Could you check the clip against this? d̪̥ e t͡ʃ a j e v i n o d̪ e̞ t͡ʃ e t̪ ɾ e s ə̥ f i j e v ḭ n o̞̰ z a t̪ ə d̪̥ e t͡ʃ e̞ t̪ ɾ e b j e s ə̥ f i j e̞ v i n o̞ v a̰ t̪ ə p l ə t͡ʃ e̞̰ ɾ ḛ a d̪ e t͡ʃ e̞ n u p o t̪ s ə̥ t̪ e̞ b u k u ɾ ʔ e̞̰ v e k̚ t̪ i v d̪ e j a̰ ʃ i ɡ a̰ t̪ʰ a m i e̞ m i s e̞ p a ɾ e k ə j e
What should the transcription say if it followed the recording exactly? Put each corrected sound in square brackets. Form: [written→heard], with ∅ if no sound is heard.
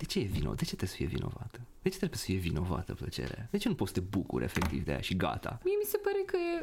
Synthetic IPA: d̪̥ e t͡ʃ [a→e] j e v i n o d̪ e̞ t͡ʃ e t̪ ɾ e s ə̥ f i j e v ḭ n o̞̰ [z→v] a t̪ ə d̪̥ e t͡ʃ e̞ t̪ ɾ e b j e s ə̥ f i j e̞ v i n o̞ v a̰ t̪ ə p l ə t͡ʃ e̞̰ ɾ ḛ a d̪ e t͡ʃ e̞ n u p o t̪ s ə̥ t̪ e̞ b u k u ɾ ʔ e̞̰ [v→f] e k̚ t̪ i v d̪ e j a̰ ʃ i ɡ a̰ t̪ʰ a m i e̞ m i s e̞ p a ɾ e k ə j e